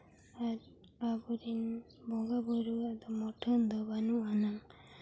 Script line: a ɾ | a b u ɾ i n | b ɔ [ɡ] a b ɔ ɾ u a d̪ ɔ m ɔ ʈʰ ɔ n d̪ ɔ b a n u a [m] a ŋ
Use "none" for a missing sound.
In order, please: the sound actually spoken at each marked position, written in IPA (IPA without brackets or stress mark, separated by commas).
ɡ, n